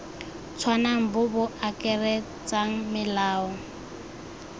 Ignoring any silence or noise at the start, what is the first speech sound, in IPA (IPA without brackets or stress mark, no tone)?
t͡sʰ